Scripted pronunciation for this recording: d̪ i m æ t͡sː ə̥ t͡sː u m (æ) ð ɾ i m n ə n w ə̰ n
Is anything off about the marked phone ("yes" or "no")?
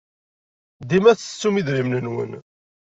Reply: yes